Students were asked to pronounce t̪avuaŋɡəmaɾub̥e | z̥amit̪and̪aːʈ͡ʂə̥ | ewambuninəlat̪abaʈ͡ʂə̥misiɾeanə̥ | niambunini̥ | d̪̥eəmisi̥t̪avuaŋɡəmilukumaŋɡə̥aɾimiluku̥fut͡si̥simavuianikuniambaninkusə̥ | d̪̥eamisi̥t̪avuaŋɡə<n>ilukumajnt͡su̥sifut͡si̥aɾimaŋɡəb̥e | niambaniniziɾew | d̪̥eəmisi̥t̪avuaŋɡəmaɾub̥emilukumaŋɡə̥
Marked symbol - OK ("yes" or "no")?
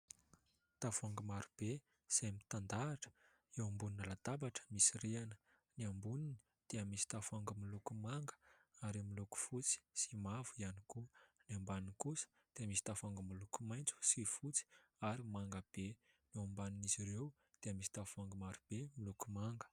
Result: no